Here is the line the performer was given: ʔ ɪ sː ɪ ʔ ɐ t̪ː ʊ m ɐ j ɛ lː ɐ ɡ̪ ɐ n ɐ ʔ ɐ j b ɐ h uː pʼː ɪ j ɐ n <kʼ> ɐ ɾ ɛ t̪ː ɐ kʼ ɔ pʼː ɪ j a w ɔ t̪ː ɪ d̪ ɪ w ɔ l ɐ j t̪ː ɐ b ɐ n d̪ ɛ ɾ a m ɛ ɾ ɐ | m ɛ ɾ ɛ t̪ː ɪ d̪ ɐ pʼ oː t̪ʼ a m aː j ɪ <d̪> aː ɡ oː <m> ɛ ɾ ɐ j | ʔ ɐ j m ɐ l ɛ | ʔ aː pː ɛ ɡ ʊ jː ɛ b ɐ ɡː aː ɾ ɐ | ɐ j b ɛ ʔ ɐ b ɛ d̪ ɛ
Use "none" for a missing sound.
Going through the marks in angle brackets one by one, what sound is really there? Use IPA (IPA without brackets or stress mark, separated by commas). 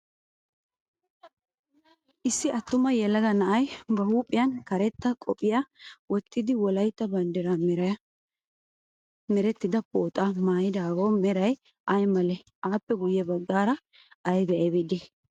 k, d̪, m